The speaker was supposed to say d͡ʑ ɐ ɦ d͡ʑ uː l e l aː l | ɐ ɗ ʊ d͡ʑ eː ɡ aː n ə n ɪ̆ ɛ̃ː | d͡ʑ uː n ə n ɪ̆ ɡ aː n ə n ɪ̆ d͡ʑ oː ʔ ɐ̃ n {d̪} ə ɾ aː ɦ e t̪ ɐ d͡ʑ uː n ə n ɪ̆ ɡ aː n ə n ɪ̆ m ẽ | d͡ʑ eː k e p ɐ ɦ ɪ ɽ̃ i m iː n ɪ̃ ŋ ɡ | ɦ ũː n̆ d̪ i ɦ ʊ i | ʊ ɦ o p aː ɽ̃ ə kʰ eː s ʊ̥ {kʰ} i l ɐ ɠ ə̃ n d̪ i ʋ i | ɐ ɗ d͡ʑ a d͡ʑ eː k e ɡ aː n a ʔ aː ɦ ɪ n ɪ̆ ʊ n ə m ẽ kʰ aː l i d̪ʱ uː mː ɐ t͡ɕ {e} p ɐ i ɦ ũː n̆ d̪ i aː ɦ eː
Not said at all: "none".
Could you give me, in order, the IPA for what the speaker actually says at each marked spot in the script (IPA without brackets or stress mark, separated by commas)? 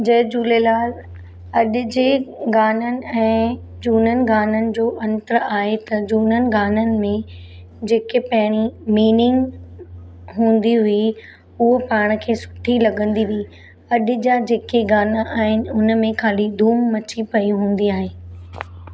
t̪, ʈʰ, i